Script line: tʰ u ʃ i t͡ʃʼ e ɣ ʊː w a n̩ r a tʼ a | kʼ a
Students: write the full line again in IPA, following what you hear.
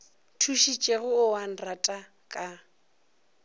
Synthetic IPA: tʰ u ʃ i t͡ʃʼ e ɣ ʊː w a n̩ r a tʼ a | kʼ a